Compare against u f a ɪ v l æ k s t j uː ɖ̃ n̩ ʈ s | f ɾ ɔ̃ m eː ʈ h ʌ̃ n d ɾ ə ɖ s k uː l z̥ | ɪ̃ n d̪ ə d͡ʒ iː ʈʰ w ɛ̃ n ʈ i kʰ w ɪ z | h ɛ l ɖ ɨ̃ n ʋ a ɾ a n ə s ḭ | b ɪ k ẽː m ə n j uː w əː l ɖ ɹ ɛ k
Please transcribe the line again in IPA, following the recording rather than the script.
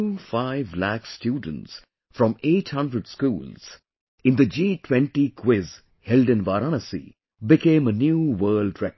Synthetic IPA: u f a ɪ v l æ k s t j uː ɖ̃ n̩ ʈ s | f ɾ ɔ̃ m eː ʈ h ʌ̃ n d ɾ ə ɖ s k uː l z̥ | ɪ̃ n d̪ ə d͡ʒ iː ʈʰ w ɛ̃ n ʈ i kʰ w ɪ z | h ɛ l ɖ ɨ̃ n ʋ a ɾ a n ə s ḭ | b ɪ k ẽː m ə n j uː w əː l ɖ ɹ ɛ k